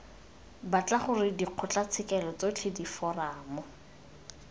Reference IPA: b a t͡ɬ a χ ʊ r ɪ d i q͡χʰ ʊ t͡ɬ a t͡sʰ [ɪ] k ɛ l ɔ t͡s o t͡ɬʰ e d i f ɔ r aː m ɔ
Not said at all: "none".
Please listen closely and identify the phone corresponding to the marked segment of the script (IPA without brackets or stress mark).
ɪ